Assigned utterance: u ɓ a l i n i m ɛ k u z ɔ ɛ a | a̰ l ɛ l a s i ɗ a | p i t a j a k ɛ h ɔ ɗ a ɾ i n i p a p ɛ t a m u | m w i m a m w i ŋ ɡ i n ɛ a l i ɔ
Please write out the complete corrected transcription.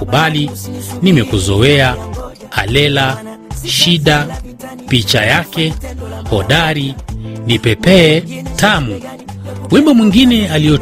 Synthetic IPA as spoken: u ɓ a l i n i m ɛ k u z ɔ ɛ a | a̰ l ɛ l a ʃ i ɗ a | p i t͡ʃ a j a k ɛ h ɔ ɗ a ɾ i n i p ɛ p ɛ t a m u | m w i m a m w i ŋ ɡ i n ɛ a l i ɔ